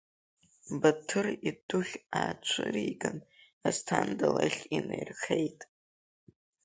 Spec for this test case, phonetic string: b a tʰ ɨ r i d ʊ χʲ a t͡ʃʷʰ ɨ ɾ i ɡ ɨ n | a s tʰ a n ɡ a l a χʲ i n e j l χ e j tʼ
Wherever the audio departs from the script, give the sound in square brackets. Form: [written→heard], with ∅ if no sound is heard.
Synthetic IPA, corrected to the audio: b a tʰ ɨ r i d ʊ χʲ a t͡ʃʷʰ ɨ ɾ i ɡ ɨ n | a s tʰ a n [ɡ→d] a l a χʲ i n e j [l→r] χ e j tʼ